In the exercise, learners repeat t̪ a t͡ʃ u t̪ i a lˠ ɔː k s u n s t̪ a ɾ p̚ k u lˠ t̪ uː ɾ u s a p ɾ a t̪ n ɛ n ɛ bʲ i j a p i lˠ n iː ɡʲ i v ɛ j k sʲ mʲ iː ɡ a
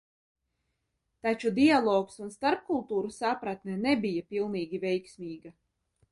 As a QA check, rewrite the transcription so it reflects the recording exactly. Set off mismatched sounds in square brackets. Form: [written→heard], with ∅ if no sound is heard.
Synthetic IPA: t̪ a t͡ʃ u [t̪→d̪] i a lˠ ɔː k s u n s t̪ a ɾ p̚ k u lˠ t̪ uː ɾ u s a p ɾ a t̪ n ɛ n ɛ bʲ i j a p i lˠ n iː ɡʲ i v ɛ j k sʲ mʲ iː ɡ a